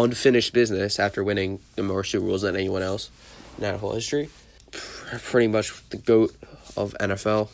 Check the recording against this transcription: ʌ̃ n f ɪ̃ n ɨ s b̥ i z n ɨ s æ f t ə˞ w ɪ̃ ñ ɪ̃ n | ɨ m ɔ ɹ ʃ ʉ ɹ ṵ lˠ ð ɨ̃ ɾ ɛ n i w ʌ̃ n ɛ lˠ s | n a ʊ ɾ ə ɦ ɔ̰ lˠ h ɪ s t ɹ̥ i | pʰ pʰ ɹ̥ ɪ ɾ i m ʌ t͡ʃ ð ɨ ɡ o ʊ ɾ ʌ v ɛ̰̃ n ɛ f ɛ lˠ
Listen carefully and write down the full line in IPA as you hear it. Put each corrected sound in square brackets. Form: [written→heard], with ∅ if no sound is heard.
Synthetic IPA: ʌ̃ n f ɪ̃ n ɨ [s→ʃ] b̥ [i→ɪ] z n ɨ s æ f t ə˞ w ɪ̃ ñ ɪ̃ [n→ŋ] | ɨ m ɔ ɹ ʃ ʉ ɹ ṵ lˠ [ð→z] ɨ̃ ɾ ɛ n i w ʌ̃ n ɛ lˠ s | n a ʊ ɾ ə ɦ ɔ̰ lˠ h ɪ s t ɹ̥ i | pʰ pʰ ɹ̥ ɪ ɾ i m ʌ t͡ʃ ð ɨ ɡ o ʊ ɾ ʌ v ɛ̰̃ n ɛ f ɛ lˠ